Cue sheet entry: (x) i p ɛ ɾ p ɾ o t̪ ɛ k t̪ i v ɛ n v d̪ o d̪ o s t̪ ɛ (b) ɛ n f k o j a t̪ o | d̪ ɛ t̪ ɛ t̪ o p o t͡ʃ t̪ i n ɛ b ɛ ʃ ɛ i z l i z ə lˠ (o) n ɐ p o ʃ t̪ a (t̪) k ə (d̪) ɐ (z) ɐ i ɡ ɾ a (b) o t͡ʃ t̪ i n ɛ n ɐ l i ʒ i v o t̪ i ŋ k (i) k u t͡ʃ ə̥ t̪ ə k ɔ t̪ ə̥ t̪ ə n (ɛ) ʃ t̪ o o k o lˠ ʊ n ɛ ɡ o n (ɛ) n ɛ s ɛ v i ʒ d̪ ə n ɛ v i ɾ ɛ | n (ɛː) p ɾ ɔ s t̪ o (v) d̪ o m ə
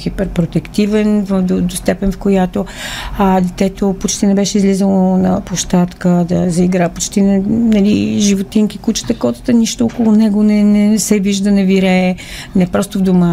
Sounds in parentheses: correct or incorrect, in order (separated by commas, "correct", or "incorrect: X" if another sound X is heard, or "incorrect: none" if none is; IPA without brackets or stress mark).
correct, incorrect: p, correct, correct, correct, correct, incorrect: p, correct, incorrect: i, correct, incorrect: ɛ, correct